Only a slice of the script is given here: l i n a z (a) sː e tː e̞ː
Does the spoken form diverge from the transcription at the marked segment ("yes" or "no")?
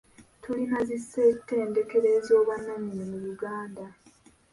yes